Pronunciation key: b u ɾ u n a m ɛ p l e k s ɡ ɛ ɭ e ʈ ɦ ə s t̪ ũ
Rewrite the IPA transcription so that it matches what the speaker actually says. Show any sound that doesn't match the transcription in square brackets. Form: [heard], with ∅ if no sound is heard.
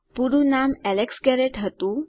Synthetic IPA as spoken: [p] u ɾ u n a m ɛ [∅] l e k s ɡ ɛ [ɾ] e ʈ ɦ ə [∅] t̪ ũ